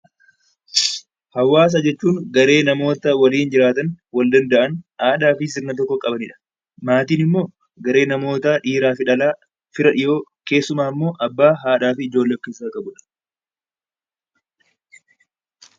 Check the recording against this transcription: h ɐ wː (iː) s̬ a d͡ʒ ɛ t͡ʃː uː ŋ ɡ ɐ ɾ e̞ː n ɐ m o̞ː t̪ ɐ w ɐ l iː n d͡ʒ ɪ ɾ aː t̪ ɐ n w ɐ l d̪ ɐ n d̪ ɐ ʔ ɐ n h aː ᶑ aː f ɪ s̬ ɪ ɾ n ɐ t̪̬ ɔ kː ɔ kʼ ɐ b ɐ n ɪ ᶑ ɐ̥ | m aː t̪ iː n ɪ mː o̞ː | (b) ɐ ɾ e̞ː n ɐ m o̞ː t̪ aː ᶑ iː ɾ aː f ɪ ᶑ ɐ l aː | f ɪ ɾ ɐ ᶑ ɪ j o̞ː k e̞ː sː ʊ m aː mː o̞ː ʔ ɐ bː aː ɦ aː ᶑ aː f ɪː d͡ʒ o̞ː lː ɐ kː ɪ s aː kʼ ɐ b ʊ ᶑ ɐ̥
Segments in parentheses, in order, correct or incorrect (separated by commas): incorrect, incorrect